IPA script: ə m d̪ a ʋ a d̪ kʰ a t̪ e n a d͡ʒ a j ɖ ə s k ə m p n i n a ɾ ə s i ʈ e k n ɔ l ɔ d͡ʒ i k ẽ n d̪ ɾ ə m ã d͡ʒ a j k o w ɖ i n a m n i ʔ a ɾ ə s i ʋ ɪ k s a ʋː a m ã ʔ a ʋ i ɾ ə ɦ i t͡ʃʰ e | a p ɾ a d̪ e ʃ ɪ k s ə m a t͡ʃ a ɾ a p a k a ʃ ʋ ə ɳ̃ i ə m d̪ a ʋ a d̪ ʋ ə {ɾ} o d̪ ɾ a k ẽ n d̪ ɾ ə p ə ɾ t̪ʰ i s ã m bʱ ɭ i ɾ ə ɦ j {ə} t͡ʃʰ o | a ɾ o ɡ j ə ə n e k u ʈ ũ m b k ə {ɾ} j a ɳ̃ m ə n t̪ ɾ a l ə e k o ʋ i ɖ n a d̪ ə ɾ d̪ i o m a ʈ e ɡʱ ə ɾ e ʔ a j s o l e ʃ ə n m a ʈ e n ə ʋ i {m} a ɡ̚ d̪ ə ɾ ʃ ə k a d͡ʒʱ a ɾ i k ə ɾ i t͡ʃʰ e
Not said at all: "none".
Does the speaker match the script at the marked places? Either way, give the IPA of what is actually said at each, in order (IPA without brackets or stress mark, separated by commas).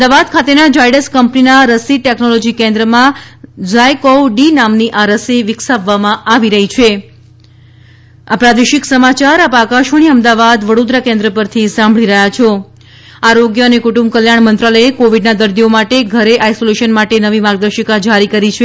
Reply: ɽ, a, l, m